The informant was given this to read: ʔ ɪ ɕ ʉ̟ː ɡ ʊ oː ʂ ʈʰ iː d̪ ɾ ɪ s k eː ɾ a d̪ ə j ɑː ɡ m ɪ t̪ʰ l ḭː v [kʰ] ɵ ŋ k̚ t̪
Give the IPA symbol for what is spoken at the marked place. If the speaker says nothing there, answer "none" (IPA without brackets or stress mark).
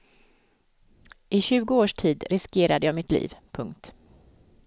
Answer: pʰ